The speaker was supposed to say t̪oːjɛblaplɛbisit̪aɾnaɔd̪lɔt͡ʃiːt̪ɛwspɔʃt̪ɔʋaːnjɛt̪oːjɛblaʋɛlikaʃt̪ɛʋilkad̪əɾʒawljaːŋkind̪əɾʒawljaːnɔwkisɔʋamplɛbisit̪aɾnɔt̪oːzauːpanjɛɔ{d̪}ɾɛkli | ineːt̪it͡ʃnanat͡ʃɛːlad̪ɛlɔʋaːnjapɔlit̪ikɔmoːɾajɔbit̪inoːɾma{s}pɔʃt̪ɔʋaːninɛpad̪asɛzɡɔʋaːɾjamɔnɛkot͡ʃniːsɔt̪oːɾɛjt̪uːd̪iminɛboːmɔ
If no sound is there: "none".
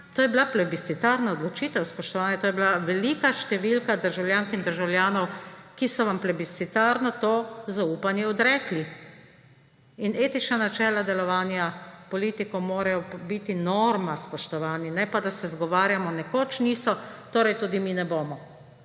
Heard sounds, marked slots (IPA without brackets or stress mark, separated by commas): d̪, s